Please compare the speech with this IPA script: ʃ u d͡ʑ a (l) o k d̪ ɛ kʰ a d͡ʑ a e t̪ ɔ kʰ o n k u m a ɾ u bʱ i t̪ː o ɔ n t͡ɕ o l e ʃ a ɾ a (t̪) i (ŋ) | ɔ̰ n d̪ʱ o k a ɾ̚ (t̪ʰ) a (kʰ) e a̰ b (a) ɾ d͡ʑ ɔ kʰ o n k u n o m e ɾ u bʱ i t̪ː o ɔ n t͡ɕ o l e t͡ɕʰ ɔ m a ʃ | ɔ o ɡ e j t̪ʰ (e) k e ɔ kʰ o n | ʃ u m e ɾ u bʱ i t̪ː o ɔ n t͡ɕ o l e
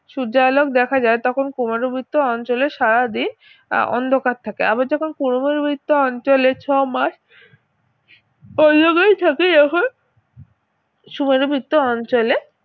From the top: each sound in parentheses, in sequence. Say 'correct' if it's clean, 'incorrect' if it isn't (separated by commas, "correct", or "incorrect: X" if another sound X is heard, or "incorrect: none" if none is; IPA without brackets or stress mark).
correct, incorrect: d̪, incorrect: n, correct, incorrect: k, correct, incorrect: a